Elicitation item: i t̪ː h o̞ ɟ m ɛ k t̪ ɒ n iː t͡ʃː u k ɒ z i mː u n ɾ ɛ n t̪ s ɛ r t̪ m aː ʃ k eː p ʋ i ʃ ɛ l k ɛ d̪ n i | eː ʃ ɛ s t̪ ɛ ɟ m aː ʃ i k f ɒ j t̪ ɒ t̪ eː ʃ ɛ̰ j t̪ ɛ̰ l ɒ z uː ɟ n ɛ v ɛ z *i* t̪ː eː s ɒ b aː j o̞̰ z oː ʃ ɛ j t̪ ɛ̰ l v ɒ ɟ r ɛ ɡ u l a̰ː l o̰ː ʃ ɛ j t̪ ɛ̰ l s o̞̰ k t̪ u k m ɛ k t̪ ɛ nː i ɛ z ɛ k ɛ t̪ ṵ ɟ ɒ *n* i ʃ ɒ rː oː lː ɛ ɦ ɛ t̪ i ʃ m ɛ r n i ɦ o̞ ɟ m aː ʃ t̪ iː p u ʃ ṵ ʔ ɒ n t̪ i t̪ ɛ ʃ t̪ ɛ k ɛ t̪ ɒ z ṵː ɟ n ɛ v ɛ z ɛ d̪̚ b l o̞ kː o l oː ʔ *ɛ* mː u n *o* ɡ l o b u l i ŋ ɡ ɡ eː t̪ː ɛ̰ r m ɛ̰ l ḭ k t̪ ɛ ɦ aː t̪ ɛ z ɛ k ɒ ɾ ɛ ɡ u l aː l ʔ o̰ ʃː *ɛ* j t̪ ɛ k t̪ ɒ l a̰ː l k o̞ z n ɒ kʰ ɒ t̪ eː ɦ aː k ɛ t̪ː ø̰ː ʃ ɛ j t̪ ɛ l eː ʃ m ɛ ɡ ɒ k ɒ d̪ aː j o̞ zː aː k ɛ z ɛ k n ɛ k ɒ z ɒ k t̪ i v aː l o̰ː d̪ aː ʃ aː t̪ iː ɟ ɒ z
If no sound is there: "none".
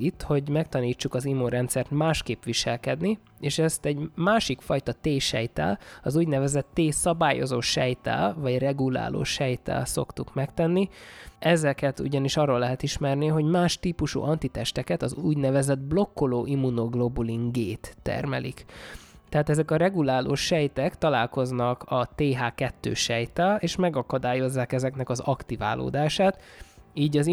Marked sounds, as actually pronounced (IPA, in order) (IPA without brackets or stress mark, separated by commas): ɛ, n, i, o, ɛ